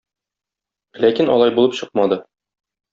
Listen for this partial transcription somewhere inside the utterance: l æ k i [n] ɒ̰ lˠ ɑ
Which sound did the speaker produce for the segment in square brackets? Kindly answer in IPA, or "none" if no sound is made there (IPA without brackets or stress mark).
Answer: n